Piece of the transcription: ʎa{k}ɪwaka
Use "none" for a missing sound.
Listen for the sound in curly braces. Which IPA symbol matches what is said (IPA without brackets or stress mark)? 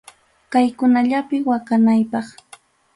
p